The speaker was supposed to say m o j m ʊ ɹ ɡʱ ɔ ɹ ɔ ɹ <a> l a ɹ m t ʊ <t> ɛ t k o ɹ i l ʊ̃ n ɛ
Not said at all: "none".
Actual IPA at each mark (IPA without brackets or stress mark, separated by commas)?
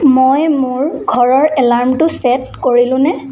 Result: ɛ, s